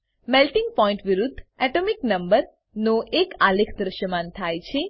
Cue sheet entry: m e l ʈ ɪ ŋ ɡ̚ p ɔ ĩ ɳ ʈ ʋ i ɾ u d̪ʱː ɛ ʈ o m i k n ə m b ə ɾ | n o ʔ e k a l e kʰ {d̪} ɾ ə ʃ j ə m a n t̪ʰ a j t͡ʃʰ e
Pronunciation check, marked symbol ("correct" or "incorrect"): correct